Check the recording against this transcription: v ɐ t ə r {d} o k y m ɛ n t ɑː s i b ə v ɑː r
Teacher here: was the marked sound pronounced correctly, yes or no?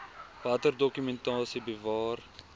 yes